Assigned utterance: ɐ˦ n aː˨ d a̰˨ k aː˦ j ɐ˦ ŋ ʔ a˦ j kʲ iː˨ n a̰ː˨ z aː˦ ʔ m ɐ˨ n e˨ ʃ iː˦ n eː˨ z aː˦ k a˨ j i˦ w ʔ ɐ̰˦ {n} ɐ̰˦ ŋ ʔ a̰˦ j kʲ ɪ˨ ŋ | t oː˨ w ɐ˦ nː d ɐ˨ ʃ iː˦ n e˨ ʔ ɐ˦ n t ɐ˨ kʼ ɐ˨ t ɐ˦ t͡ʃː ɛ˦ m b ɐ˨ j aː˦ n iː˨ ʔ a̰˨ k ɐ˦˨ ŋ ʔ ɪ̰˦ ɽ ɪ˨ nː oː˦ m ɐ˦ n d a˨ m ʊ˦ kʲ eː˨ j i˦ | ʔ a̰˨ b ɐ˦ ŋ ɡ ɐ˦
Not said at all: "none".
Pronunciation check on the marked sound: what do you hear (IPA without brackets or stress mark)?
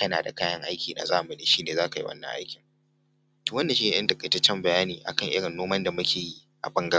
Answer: nː